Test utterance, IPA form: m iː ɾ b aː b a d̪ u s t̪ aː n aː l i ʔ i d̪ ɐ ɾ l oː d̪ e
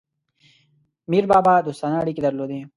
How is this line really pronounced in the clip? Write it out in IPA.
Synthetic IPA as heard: m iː ɾ b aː b a d̪ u s t̪ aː n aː ɽ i k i d̪ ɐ ɾ l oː d̪ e